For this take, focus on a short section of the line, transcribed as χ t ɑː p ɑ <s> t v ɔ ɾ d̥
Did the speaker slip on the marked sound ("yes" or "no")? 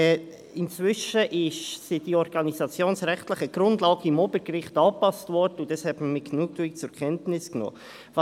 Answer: no